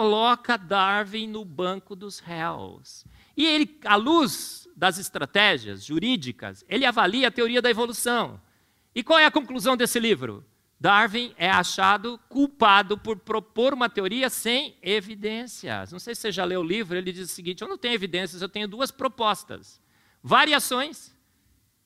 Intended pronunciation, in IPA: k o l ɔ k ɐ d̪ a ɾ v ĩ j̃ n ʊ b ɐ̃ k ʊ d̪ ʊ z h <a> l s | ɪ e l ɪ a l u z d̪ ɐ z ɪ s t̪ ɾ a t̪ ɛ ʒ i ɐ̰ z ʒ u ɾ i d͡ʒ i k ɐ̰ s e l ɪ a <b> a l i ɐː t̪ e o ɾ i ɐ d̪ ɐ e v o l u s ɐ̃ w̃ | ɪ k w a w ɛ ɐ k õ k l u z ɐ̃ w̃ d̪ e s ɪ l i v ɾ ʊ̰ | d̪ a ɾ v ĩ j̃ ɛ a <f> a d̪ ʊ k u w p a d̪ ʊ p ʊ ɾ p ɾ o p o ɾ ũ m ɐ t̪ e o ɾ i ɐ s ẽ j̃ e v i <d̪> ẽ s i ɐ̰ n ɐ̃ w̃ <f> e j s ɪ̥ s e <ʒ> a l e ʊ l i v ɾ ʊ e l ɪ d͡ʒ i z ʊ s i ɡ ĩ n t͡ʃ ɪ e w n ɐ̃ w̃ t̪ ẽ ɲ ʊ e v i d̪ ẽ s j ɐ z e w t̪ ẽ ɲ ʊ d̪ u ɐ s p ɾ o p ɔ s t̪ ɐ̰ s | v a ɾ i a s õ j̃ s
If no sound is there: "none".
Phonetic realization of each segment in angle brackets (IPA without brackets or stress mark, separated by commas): ɛ, v, ʃ, d̪, s, ʒ